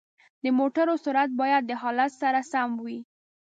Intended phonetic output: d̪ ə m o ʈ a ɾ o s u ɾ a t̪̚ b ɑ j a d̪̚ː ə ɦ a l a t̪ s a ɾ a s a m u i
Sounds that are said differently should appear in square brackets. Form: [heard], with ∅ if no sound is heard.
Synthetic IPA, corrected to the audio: d̪ ə m o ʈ a ɾ o s u ɾ a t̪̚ b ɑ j a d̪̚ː ə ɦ [ɑ] l a t̪ s a ɾ a s a m [w] i